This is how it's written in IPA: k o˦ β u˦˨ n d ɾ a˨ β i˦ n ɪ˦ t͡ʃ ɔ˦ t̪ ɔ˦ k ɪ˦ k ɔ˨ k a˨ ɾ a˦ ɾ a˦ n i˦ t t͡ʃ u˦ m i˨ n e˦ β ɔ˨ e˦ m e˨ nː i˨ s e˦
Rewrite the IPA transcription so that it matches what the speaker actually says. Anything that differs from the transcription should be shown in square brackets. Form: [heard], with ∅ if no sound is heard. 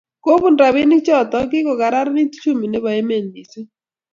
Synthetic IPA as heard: k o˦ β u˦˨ n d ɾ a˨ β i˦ n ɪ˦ t͡ʃ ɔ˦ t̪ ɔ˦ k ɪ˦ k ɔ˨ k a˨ ɾ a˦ ɾ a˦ n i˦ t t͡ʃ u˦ m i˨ n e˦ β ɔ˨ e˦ m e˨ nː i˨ s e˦